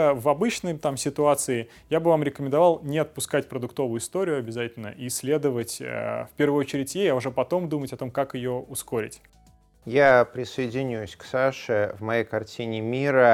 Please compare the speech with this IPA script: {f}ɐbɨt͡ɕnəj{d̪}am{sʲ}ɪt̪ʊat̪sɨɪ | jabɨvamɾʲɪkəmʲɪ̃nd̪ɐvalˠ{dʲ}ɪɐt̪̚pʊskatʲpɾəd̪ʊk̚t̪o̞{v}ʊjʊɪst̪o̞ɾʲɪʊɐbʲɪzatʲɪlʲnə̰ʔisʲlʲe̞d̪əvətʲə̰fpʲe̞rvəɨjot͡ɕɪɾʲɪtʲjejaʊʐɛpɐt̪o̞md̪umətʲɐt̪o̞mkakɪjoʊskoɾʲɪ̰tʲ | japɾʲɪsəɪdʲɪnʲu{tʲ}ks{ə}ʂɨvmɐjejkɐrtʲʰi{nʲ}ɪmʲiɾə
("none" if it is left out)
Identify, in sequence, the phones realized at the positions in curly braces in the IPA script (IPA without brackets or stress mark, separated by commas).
v, t̪, sʲ, nʲ, v, sʲ, a, nʲ